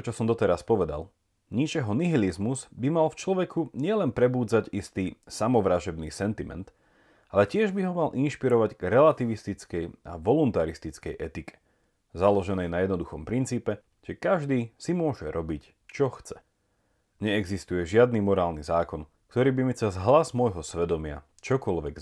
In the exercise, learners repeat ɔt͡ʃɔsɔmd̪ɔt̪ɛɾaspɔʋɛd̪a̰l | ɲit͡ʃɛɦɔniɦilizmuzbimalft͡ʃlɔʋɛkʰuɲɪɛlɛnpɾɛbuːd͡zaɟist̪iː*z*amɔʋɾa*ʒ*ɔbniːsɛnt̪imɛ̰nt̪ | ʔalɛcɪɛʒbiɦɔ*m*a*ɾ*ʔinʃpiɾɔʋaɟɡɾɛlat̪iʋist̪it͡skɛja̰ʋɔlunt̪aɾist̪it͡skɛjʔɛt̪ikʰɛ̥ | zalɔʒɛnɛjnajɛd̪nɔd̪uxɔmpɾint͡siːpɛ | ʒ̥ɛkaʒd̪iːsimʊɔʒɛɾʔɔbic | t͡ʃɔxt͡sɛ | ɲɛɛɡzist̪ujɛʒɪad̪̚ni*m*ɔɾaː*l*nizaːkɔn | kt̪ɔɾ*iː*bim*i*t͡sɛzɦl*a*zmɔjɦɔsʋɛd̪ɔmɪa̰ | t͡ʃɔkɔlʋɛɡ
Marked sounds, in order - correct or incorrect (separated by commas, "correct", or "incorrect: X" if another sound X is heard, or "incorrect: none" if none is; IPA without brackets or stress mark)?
incorrect: s, correct, correct, incorrect: l, correct, correct, correct, correct, correct